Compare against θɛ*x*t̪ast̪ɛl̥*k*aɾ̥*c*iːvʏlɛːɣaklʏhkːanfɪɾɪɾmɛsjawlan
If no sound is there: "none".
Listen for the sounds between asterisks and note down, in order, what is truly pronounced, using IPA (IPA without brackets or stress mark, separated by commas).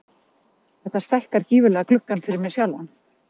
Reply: h, k, c